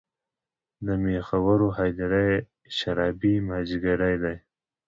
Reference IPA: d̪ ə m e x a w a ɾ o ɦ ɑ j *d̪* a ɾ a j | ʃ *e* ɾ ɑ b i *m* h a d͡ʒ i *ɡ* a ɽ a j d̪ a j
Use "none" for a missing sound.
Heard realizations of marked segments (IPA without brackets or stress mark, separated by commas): d̪, a, m, ɡ